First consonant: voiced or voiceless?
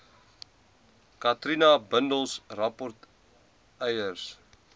voiceless